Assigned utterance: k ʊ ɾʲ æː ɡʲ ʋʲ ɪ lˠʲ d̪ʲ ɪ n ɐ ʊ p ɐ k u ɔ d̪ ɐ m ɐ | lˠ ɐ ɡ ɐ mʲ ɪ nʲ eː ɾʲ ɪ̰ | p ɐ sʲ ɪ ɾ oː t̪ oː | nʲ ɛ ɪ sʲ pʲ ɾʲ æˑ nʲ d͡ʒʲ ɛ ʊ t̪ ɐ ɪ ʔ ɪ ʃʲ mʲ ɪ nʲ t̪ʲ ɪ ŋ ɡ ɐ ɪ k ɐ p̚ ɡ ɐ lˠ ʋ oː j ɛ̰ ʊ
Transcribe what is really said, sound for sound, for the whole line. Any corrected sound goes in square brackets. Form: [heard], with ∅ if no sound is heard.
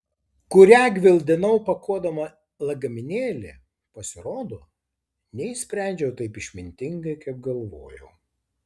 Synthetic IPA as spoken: k ʊ ɾʲ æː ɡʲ ʋʲ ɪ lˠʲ d̪ʲ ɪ n ɐ ʊ p ɐ k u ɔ d̪ ɐ m ɐ | lˠ ɐ ɡ ɐ mʲ ɪ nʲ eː [lʲ] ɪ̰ | p ɐ sʲ ɪ ɾ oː [d̪] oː | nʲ ɛ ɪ sʲ pʲ ɾʲ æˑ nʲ d͡ʒʲ ɛ ʊ t̪ ɐ ɪ [p] ɪ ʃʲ mʲ ɪ nʲ t̪ʲ ɪ ŋ ɡ ɐ ɪ k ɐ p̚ ɡ ɐ lˠ ʋ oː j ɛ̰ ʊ